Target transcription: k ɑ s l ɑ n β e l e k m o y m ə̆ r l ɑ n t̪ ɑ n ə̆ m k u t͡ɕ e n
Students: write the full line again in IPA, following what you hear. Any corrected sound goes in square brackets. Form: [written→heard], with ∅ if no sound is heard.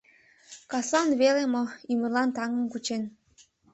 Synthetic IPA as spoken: k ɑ s l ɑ n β e l e [k→∅] m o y m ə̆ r l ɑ n t̪ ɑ [n→ŋ] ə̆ m k u t͡ɕ e n